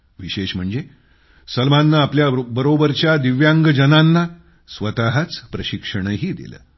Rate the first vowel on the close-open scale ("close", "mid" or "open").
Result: close